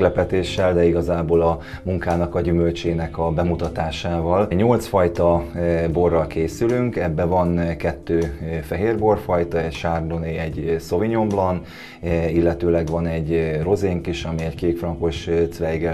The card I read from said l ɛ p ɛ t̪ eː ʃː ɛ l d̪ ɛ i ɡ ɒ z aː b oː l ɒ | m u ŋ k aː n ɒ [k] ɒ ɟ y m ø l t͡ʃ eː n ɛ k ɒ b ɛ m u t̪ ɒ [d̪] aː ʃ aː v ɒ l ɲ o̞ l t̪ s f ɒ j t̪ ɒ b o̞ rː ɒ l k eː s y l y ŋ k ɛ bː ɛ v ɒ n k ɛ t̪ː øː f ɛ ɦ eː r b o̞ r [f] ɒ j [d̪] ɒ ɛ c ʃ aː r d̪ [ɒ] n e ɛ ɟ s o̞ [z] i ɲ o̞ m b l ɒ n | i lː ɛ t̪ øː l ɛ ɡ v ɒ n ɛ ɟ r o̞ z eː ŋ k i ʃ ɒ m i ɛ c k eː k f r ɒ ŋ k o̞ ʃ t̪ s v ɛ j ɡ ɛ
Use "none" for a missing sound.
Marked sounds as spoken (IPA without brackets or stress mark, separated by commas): k, t̪, f, t̪, o, v